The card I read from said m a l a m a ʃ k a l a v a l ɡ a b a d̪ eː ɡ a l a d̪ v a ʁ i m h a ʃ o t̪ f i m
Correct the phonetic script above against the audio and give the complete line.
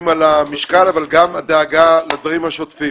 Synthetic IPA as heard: m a l a m i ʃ k a l a v a l ɡ a m a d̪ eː ɡ a l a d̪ v a ʁ i m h a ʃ o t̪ f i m